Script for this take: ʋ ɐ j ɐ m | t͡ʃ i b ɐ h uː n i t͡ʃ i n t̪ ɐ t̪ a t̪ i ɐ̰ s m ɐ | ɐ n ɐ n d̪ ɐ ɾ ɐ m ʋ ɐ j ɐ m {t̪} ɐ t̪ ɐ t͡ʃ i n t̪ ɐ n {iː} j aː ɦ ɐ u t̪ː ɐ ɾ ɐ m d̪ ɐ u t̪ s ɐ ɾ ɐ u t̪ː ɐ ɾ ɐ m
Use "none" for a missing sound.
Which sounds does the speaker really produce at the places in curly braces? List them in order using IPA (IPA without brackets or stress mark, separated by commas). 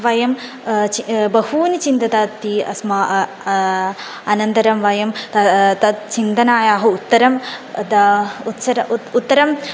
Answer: t̪, aː